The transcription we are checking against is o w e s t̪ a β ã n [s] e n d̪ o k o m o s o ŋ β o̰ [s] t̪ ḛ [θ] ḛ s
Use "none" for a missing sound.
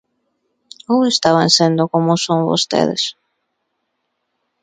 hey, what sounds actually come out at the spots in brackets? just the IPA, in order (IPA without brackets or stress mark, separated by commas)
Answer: s, s, ð